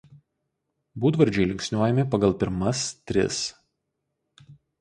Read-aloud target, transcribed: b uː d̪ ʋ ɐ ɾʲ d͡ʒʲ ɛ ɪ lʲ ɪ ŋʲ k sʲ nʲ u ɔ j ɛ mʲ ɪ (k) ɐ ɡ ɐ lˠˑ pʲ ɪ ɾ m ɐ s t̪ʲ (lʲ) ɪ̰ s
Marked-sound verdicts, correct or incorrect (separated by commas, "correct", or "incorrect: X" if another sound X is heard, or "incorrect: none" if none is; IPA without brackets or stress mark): incorrect: p, incorrect: ɾʲ